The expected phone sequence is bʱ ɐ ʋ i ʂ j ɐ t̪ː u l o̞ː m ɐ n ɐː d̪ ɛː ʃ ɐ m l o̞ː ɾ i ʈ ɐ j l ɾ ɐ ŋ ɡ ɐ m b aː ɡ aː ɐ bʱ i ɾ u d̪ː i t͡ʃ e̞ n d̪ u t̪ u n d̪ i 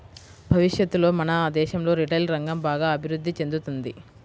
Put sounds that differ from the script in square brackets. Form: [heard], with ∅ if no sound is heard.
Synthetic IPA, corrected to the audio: bʱ ɐ ʋ i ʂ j ɐ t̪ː u l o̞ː m ɐ n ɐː d̪ ɛː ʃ ɐ m l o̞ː ɾ i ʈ ɐ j l ɾ ɐ ŋ ɡ ɐ m b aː ɡ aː ɐ bʱ i ɾ u d̪ː i t͡ʃ e̞ n d̪ u t̪ u n d̪ i